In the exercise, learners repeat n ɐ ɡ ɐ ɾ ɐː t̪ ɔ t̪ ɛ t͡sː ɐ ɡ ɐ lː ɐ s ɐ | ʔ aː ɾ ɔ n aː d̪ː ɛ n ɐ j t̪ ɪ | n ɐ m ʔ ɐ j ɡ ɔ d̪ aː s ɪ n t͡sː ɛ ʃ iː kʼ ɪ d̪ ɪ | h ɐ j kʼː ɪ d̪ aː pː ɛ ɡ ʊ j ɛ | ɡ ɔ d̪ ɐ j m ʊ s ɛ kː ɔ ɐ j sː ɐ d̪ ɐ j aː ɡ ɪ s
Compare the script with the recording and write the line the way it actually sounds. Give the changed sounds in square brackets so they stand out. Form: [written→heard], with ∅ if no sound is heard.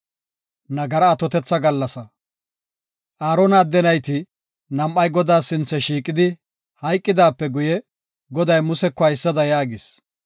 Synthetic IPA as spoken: n ɐ ɡ ɐ ɾ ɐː t̪ ɔ t̪ ɛ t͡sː ɐ ɡ ɐ lː ɐ s ɐ | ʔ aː ɾ ɔ n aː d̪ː ɛ n ɐ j t̪ ɪ | n ɐ m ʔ ɐ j ɡ ɔ d̪ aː s ɪ n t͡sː ɛ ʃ iː kʼ ɪ d̪ ɪ | h ɐ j kʼː ɪ d̪ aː pː ɛ ɡ ʊ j ɛ | ɡ ɔ d̪ ɐ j m ʊ s ɛ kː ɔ ɐ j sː ɐ d̪ ɐ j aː ɡ ɪ s

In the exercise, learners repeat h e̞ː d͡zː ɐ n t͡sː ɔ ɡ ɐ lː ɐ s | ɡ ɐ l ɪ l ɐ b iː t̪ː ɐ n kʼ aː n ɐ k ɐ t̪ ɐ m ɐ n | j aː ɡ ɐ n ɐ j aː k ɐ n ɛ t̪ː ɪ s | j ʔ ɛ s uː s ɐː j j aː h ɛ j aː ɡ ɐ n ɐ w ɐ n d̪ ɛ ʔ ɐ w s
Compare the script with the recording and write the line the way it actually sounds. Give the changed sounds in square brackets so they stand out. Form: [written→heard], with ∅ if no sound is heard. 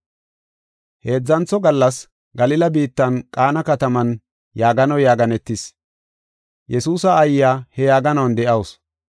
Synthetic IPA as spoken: h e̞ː d͡zː ɐ n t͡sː ɔ ɡ ɐ lː ɐ s | ɡ ɐ l ɪ l ɐ b iː t̪ː ɐ n kʼ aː n ɐ k ɐ t̪ ɐ m ɐ n | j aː ɡ ɐ n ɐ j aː [k→ɡ] ɐ n ɛ t̪ː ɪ s | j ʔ ɛ s uː s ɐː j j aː h ɛ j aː ɡ ɐ n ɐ w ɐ n d̪ ɛ ʔ ɐ w s

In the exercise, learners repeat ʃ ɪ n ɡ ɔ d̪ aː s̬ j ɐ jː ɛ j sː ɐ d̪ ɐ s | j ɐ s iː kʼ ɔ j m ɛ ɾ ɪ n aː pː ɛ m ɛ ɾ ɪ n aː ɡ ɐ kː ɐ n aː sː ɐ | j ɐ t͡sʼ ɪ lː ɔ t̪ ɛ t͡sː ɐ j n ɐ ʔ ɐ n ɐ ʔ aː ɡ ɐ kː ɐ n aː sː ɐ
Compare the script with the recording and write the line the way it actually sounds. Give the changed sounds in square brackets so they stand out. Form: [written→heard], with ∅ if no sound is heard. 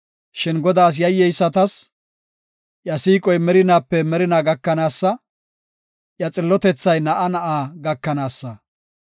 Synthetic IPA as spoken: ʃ ɪ n ɡ ɔ d̪ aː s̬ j ɐ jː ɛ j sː ɐ [d̪→t̪] ɐ s | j ɐ s iː kʼ ɔ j m ɛ ɾ ɪ n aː pː ɛ m ɛ ɾ ɪ n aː ɡ ɐ kː ɐ n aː sː ɐ | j ɐ t͡sʼ ɪ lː ɔ t̪ ɛ t͡sː ɐ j n ɐ ʔ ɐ n ɐ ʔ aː ɡ ɐ kː ɐ n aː sː ɐ

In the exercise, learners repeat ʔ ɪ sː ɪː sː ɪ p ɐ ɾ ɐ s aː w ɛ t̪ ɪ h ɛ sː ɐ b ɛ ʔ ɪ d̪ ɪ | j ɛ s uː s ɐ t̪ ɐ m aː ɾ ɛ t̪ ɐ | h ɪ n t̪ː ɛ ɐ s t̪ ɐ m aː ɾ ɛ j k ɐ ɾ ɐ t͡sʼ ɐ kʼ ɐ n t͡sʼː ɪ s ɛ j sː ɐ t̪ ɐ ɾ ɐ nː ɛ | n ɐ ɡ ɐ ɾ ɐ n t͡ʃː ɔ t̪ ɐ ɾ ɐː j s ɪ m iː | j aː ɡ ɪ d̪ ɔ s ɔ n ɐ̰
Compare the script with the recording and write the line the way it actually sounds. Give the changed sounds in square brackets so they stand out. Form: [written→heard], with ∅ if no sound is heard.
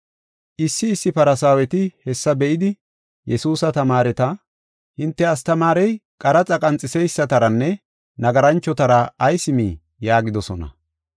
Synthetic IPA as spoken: ʔ ɪ sː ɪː sː ɪ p ɐ ɾ ɐ s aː w ɛ t̪ ɪ h ɛ sː ɐ b ɛ ʔ ɪ d̪ ɪ | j ɛ s uː s ɐ t̪ ɐ m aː ɾ ɛ t̪ ɐ | h ɪ n t̪ː ɛ ɐ s t̪ ɐ m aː ɾ ɛ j [k→kʼ] ɐ ɾ ɐ t͡sʼ ɐ kʼ ɐ n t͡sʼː ɪ s ɛ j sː ɐ t̪ ɐ ɾ ɐ nː ɛ | n ɐ ɡ ɐ ɾ ɐ n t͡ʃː ɔ t̪ ɐ ɾ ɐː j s ɪ m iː | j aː ɡ ɪ d̪ ɔ s ɔ n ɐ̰

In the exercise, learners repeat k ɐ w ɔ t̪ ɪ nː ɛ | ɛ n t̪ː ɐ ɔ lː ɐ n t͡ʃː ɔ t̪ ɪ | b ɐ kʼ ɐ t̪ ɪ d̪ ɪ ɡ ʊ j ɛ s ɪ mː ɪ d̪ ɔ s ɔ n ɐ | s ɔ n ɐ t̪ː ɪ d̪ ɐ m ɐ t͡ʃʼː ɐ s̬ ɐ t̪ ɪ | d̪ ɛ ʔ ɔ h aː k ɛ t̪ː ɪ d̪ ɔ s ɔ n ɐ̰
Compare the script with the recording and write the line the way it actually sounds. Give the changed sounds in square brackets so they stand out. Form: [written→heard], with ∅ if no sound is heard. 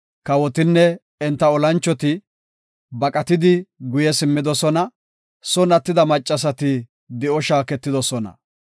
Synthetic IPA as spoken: k ɐ w ɔ t̪ ɪ nː ɛ | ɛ n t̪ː ɐ ɔ [lː→l] ɐ n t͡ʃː ɔ t̪ ɪ | b ɐ kʼ ɐ t̪ ɪ d̪ ɪ ɡ ʊ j ɛ s ɪ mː ɪ d̪ ɔ s ɔ n ɐ | s ɔ n ɐ t̪ː ɪ d̪ ɐ m ɐ t͡ʃʼː ɐ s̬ ɐ t̪ ɪ | d̪ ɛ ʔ ɔ [h→ʃ] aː k ɛ t̪ː ɪ d̪ ɔ s ɔ n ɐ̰

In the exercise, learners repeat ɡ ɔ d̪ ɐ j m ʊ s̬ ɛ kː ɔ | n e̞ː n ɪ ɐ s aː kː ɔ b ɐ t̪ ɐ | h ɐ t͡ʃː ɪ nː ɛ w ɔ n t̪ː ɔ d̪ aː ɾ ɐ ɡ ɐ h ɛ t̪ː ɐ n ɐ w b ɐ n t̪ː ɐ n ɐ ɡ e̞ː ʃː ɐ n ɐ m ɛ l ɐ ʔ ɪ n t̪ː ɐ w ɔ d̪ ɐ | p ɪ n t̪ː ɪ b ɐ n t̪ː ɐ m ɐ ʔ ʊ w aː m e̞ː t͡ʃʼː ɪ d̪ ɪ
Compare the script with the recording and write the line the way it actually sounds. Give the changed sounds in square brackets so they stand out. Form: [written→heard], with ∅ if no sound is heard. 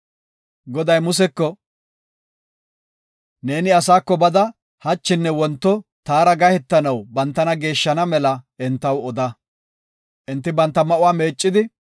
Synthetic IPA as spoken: ɡ ɔ d̪ ɐ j m ʊ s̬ ɛ kː ɔ | n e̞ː n ɪ ɐ s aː kː ɔ b ɐ [t̪→d̪] ɐ | h ɐ t͡ʃː ɪ nː ɛ w ɔ n t̪ː ɔ [d̪→t̪] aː ɾ ɐ ɡ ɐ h ɛ t̪ː ɐ n ɐ w b ɐ n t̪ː ɐ n ɐ ɡ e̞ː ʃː ɐ n ɐ m ɛ l ɐ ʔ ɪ n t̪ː ɐ w ɔ d̪ ɐ | [p→ʔ] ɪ n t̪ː ɪ b ɐ n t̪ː ɐ m ɐ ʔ ʊ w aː m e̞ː t͡ʃʼː ɪ d̪ ɪ

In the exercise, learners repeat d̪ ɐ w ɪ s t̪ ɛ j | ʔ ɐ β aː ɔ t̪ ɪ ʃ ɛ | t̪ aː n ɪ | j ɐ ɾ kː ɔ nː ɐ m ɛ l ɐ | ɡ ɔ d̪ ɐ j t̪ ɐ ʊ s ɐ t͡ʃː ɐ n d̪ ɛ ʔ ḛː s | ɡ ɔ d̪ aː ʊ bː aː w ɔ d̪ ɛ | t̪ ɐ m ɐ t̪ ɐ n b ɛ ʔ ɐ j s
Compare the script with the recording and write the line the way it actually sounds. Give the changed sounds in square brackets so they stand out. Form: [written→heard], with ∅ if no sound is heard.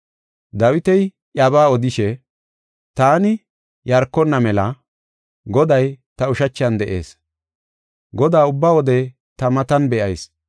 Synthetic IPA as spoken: d̪ ɐ w ɪ [s→∅] t̪ ɛ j | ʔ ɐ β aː ɔ [t̪→d̪] ɪ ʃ ɛ | t̪ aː n ɪ | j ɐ ɾ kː ɔ nː ɐ m ɛ l ɐ | ɡ ɔ d̪ ɐ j t̪ ɐ ʊ [s→ʃ] ɐ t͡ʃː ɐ n d̪ ɛ ʔ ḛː s | ɡ ɔ d̪ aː ʊ bː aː w ɔ d̪ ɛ | t̪ ɐ m ɐ t̪ ɐ n b ɛ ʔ ɐ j s

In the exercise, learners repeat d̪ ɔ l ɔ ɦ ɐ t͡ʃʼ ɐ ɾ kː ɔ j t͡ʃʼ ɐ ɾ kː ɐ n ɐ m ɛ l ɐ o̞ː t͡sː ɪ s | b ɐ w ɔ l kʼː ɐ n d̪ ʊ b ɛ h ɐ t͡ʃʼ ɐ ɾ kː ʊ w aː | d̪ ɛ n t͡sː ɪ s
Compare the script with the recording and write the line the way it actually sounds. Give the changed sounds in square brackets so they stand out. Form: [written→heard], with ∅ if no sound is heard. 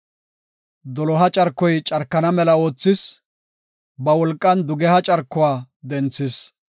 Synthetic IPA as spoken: d̪ ɔ l ɔ ɦ ɐ t͡ʃʼ ɐ ɾ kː ɔ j t͡ʃʼ ɐ ɾ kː ɐ n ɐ m ɛ l ɐ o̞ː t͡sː ɪ s | b ɐ w ɔ l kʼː ɐ n d̪ ʊ [b→ɡ] ɛ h ɐ t͡ʃʼ ɐ ɾ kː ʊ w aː | d̪ ɛ n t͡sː ɪ s

